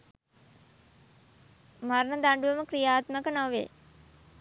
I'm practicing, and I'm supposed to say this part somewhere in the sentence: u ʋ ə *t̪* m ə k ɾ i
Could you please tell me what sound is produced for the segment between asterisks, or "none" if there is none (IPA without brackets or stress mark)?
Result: none